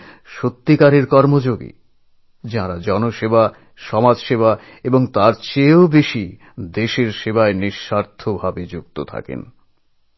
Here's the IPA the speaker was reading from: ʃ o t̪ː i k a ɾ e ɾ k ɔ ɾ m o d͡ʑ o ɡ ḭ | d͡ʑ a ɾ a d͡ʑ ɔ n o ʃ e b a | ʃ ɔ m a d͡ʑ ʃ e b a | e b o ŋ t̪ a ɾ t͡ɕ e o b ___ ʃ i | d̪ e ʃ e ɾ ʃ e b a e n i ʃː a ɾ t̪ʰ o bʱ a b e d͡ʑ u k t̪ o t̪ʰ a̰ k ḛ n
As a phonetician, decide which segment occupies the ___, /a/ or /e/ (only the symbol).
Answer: e